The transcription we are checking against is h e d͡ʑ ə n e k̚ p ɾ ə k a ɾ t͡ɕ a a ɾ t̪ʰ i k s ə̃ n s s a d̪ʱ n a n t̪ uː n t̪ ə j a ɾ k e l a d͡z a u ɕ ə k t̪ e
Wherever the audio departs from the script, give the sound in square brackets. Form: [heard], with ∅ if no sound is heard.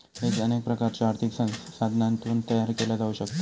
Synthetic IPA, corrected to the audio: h e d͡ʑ ə n e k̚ p ɾ ə k a ɾ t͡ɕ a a ɾ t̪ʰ i k s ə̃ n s s a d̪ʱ n a n t̪ uː n t̪ ə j a ɾ k e l a d͡z a u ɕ ə k t̪ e